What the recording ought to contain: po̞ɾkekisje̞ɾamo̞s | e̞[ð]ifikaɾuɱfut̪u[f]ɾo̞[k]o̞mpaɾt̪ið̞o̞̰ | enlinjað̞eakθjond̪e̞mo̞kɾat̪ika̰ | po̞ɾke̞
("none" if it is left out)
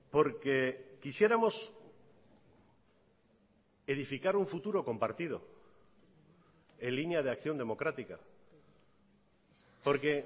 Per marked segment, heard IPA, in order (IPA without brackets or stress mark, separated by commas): ð, none, k